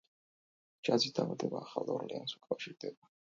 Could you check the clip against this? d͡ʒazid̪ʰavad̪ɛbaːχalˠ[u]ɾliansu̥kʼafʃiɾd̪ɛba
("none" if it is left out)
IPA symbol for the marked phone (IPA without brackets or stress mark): ɔ